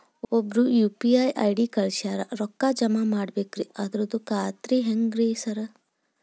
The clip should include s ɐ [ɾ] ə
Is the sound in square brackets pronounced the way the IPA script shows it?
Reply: yes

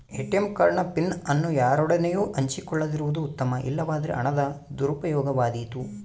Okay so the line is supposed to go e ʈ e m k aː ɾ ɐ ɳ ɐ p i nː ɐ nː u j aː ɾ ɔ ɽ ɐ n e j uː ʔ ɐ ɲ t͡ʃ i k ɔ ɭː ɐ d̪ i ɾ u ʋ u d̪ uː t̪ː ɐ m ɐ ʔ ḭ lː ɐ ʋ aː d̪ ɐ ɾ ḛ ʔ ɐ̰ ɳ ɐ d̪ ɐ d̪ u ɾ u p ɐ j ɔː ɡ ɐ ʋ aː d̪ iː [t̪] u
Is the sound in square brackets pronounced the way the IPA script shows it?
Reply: yes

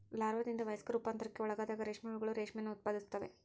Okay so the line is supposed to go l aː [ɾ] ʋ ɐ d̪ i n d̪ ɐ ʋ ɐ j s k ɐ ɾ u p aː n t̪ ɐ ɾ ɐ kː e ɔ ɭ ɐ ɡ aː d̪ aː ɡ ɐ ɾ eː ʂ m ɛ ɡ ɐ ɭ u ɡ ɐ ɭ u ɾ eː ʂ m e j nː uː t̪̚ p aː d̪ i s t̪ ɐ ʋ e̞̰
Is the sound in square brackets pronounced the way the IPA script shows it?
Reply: yes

